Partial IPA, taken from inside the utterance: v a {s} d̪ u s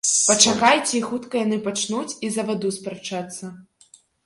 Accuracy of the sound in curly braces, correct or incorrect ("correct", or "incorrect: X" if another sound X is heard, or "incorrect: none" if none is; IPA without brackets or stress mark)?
incorrect: none